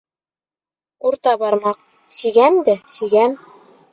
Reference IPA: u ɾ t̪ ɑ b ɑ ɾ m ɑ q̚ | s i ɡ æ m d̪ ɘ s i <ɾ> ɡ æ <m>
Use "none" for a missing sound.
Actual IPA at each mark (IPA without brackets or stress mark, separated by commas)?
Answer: none, m